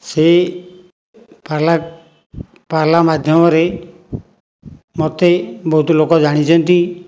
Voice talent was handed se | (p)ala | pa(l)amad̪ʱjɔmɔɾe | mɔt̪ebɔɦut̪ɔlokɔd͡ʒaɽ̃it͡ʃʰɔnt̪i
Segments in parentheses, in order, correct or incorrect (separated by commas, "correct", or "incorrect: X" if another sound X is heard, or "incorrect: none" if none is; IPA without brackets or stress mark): correct, correct